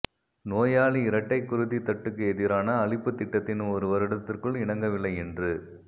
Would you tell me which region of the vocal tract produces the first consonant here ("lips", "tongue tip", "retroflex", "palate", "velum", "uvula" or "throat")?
tongue tip